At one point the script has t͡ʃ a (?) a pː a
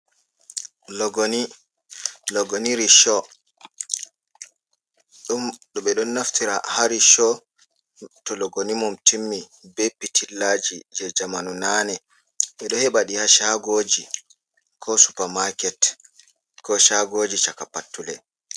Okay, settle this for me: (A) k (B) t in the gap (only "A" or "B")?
A